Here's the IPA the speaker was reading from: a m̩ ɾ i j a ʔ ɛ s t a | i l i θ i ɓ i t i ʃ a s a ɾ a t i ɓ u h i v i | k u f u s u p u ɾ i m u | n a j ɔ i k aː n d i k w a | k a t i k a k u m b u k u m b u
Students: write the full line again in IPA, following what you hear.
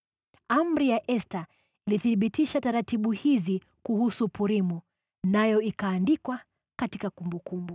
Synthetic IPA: a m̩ ɾ i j a ʔ ɛ s t a | i l i θ i ɓ i t i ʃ a t a ɾ a t i ɓ u h i z i | k u h u s u p u ɾ i m u | n a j ɔ i k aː n d i k w a | k a t i k a k u m b u k u m b u